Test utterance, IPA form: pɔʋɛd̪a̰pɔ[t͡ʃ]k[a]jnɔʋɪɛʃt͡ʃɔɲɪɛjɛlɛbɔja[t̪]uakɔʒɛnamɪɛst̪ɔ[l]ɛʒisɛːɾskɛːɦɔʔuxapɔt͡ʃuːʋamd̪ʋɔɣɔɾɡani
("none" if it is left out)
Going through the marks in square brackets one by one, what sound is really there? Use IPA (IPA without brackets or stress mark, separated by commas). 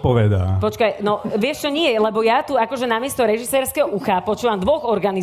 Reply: t͡ʃ, a, t̪, ɾ